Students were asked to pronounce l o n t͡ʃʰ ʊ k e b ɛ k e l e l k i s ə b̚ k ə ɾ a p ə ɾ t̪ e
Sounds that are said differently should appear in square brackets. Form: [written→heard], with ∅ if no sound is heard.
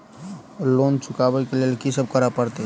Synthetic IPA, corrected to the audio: l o n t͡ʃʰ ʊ k [e→a] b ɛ k e l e l k i s ə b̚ k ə ɾ a p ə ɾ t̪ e

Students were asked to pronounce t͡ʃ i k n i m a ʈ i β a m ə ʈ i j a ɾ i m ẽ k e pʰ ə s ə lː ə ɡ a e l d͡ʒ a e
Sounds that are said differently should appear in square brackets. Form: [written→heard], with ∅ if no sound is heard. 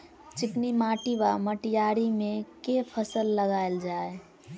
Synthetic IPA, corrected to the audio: t͡ʃ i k n i m a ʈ i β a m ə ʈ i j a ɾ i m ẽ k e pʰ ə s ə lː ə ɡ a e l d͡ʒ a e

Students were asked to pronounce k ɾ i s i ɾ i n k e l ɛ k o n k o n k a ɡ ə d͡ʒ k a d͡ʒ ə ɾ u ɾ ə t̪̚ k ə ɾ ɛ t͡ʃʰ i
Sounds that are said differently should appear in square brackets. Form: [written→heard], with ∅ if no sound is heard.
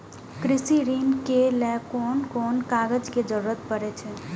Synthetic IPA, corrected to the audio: k ɾ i s i ɾ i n k e l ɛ k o n k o n k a ɡ ə d͡ʒ k [a→e] d͡ʒ ə ɾ u ɾ ə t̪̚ [k→p] ə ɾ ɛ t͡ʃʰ [i→ɛ]

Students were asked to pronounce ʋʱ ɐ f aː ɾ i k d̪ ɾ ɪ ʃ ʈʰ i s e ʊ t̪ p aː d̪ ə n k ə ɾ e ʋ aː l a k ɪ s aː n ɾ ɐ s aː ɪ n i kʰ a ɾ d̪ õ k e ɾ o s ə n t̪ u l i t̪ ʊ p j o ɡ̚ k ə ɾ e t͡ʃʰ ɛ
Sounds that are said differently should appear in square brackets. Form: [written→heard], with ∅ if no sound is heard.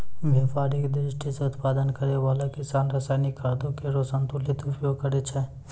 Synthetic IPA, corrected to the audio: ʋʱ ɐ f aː ɾ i k d̪ ɾ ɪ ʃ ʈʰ i s e ʊ t̪ p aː d̪ ə n k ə ɾ e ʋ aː l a k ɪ s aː n ɾ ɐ s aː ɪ n i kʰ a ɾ d̪ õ k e ɾ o s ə n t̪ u l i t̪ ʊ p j o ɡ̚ k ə ɾ e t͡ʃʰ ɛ

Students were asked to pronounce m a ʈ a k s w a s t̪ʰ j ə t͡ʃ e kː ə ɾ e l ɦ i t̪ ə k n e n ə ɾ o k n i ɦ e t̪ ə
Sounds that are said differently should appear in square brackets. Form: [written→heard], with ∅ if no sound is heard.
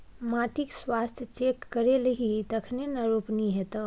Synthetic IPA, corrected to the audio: m a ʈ [a→i] k s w a s t̪ʰ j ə t͡ʃ e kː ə ɾ e l ɦ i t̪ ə [k→kʰ] n e n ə ɾ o [k→p] n i ɦ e t̪ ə

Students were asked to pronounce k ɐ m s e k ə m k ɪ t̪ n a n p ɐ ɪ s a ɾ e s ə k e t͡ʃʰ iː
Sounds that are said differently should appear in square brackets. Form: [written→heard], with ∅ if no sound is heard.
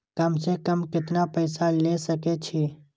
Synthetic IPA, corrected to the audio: k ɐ m s e k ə m k ɪ t̪ n a [n→∅] p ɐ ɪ s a [ɾ→l] e s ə k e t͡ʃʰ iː

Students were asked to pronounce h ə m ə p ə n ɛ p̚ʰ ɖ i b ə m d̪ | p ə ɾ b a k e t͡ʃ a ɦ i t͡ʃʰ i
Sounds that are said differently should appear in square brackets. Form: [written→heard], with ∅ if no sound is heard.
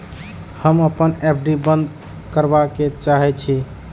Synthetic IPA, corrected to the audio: h ə m ə p ə n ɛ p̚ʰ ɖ i b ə [m→n] d̪ | [p→k] ə ɾ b a k e t͡ʃ a ɦ [i→ɛ] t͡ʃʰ i

